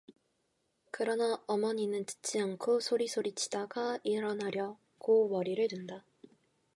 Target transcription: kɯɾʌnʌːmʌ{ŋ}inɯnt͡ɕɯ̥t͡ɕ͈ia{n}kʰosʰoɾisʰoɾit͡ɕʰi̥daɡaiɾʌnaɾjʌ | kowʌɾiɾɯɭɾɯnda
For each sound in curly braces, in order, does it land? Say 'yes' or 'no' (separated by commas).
no, no